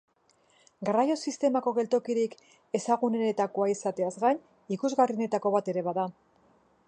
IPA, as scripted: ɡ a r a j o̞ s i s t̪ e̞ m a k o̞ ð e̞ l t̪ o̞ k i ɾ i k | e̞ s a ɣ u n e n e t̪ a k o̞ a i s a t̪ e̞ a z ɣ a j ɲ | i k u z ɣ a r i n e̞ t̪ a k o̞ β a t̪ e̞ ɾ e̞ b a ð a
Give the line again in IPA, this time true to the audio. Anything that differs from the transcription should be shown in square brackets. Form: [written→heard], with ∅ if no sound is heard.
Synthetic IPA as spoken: ɡ a r a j o̞ s i s t̪ e̞ m a k o̞ [ð→ɣ] e̞ l t̪ o̞ k i ɾ i k | e̞ s a ɣ u n e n e t̪ a k o̞ a i s a t̪ e̞ a z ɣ a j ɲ | i k u z ɣ a r i n e̞ t̪ a k o̞ β a t̪ e̞ ɾ e̞ [b→β] a ð a